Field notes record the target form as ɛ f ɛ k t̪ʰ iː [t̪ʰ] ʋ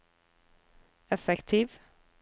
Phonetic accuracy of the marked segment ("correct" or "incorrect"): incorrect